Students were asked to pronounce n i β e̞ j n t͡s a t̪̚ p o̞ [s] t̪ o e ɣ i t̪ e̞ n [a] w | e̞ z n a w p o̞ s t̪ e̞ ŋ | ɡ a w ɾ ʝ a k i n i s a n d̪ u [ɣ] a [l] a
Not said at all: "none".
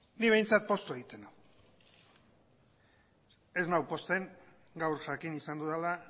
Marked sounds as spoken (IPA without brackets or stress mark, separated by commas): s, a, ð, l